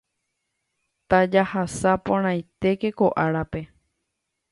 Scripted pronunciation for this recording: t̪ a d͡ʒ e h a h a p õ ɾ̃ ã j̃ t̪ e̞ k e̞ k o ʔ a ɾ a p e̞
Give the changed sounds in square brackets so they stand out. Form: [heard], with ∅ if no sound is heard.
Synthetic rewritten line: t̪ a d͡ʒ [a] h a [s] a p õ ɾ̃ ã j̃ t̪ e̞ k e̞ k o ʔ a ɾ a p e̞